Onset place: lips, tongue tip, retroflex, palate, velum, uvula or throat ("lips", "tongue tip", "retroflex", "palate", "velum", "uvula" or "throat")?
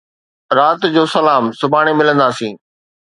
tongue tip